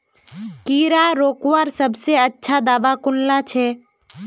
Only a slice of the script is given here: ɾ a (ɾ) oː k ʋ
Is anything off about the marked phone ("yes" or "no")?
no